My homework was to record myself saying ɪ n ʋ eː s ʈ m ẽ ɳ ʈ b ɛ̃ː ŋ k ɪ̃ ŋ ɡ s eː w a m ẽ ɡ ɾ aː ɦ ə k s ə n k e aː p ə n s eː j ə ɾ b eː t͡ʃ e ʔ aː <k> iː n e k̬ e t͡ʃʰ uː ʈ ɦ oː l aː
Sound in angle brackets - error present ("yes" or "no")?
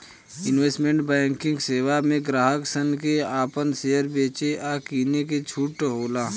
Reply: no